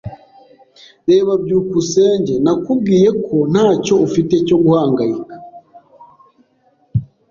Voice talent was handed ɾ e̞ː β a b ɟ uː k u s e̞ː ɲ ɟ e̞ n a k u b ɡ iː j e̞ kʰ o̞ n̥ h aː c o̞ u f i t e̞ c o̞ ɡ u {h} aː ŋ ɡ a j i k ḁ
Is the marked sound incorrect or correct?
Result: correct